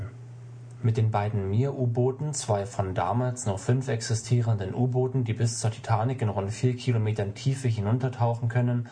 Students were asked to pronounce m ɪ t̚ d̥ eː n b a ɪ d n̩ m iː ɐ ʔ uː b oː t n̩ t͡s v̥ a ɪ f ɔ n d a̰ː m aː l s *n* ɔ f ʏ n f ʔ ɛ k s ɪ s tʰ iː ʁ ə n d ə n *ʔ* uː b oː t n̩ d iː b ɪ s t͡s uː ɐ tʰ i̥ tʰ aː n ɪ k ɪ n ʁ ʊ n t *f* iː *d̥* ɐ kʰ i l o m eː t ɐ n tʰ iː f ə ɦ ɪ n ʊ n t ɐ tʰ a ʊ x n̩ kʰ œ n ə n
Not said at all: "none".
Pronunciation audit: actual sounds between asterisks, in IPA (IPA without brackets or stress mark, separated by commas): n, ʔ, f, none